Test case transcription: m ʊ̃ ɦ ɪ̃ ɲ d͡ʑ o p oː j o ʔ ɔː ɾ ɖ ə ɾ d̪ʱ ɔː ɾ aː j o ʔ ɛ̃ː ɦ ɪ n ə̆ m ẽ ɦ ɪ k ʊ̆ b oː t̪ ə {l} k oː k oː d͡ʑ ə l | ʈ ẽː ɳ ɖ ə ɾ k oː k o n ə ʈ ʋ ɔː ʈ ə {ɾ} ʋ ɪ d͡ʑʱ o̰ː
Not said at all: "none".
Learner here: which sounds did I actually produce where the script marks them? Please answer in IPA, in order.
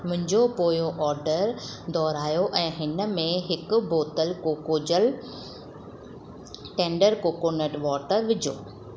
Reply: l, ɾ

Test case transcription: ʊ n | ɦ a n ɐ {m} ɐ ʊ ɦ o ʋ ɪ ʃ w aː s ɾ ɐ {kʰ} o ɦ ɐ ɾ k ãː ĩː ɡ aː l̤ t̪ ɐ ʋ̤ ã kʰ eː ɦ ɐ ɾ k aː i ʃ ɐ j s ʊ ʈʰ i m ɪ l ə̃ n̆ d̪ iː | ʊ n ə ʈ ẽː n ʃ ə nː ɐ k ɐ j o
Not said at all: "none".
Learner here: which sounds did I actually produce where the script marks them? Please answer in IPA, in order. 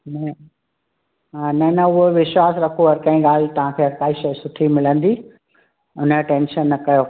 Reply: n, kʰ

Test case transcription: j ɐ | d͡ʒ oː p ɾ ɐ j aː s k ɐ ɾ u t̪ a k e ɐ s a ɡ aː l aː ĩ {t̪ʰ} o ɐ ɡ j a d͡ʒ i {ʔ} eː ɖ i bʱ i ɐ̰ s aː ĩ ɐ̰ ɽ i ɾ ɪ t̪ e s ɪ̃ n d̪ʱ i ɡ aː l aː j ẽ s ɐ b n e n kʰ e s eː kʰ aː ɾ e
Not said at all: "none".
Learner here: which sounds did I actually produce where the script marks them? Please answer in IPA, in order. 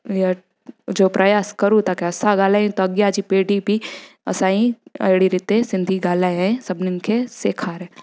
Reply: t̪, p

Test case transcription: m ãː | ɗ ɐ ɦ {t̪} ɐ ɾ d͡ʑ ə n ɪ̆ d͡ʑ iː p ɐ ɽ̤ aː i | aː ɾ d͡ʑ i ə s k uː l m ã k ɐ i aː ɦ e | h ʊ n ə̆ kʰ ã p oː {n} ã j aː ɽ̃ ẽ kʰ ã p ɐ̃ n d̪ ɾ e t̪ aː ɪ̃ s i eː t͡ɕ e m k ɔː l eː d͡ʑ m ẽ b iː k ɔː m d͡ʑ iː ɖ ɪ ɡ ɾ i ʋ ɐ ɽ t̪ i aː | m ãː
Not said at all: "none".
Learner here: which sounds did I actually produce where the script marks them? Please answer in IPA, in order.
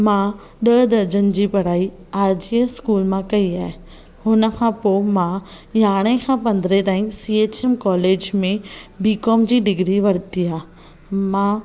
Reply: d̪, m

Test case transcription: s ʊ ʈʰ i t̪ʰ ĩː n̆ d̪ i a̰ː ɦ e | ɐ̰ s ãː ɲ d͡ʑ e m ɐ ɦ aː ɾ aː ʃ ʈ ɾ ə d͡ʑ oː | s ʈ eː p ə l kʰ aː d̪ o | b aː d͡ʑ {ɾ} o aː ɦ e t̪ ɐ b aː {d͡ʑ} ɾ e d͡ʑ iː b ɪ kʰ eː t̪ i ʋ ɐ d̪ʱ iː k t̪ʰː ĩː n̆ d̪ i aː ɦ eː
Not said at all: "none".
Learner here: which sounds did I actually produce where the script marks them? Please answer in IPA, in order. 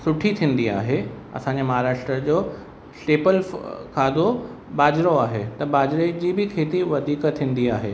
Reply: ɾ, d͡ʑ

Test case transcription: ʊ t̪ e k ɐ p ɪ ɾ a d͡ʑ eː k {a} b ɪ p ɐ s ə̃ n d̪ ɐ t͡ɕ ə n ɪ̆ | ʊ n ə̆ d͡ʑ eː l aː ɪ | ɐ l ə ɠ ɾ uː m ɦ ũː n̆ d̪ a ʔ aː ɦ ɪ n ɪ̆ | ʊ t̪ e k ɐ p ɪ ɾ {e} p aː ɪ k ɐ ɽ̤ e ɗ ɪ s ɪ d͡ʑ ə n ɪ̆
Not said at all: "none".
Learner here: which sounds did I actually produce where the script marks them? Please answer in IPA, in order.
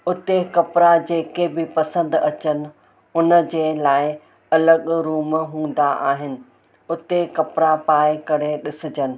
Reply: e, a

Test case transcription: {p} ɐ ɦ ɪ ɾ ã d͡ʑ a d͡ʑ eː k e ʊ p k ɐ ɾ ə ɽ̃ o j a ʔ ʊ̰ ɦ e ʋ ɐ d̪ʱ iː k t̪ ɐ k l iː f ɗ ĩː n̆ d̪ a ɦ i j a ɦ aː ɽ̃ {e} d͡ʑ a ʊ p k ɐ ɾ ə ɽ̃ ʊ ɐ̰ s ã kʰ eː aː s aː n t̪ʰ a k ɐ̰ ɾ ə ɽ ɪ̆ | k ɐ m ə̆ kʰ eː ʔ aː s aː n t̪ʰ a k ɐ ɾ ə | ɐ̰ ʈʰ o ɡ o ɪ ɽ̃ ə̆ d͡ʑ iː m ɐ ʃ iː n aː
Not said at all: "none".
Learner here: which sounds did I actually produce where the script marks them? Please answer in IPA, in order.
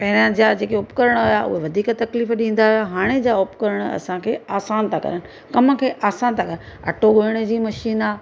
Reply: p, e

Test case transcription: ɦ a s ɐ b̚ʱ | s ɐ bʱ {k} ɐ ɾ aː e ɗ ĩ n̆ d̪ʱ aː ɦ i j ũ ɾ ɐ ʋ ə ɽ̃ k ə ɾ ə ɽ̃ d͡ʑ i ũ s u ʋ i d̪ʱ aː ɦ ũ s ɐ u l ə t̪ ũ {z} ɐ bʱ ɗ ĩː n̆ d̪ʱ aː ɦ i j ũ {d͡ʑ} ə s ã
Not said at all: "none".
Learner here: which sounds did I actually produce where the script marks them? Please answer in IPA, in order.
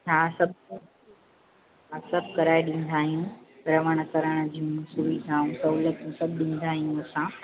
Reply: k, s, none

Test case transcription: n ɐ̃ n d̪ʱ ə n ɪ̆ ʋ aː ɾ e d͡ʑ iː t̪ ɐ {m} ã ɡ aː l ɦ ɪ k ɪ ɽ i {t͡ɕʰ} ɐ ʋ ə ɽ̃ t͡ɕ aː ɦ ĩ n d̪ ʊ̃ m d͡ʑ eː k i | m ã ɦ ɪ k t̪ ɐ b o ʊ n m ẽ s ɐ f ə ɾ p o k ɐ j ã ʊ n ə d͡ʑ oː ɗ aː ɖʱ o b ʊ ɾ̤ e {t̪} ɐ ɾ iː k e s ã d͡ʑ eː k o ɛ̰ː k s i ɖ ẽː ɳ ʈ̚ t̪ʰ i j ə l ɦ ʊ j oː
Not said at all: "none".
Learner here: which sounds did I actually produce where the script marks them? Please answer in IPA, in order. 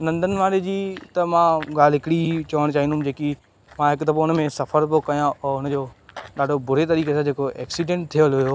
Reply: m, t͡ɕ, t̪

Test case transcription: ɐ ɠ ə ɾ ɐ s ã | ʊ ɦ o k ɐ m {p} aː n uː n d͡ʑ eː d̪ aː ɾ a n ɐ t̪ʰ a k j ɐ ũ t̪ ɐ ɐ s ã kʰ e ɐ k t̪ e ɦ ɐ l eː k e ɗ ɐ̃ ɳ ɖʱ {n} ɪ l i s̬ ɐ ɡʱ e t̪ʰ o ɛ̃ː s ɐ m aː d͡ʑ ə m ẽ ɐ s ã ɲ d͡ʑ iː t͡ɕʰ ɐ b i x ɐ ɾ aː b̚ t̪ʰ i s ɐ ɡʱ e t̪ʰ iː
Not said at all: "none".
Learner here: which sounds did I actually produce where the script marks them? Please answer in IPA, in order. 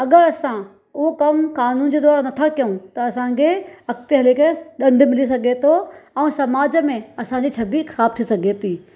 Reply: k, m

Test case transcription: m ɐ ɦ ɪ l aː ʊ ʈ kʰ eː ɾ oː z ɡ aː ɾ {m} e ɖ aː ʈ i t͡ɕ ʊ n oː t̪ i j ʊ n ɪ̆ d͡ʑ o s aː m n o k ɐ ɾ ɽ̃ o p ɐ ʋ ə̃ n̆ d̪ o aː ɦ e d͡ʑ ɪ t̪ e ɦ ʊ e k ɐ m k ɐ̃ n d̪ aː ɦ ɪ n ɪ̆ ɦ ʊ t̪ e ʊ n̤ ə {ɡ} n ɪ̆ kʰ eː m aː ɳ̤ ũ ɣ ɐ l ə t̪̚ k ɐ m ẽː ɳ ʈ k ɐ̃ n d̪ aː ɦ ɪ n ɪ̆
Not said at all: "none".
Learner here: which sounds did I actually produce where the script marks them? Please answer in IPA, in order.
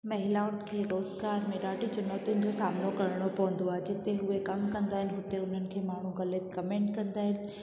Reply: m, none

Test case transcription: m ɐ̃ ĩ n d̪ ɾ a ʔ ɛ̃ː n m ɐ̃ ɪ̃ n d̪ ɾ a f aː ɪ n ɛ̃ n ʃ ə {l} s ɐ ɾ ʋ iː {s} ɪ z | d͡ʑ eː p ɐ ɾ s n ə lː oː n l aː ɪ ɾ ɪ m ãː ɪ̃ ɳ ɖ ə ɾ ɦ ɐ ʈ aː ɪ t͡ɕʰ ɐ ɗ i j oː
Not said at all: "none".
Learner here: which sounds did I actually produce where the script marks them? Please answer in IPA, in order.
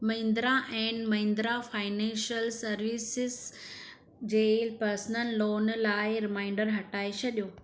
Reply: l, s

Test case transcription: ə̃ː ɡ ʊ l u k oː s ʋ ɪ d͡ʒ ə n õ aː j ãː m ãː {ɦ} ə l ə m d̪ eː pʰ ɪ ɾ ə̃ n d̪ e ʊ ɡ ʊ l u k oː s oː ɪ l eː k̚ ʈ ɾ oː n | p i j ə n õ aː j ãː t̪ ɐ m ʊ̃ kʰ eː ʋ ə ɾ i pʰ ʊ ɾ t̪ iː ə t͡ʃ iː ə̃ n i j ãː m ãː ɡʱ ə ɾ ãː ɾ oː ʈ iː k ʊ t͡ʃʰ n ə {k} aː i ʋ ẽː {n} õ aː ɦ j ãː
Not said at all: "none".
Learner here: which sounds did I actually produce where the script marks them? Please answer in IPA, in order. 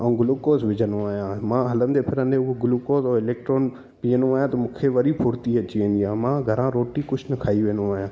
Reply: ɦ, kʰ, n

